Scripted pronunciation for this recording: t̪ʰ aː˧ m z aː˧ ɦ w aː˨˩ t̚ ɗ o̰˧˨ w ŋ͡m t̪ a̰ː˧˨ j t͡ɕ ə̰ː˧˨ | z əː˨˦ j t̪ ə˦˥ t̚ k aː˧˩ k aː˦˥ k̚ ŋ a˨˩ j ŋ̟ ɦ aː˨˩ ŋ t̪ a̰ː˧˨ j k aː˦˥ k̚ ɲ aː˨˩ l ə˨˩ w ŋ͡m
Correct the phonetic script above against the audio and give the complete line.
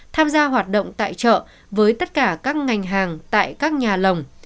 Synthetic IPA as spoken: t̪ʰ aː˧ m z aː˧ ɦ w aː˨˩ t̚ ɗ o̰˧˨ w ŋ͡m t̪ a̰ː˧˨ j t͡ɕ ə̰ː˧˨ | v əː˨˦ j t̪ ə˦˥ t̚ k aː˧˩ k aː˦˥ k̚ ŋ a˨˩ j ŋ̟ ɦ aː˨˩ ŋ t̪ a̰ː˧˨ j k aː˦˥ k̚ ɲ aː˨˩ l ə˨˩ w ŋ͡m